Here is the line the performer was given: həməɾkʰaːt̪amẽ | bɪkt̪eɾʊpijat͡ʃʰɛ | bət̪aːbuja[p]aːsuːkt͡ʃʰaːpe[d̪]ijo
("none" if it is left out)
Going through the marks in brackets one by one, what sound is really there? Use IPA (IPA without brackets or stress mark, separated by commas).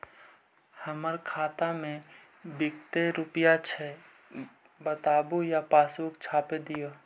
p, d̪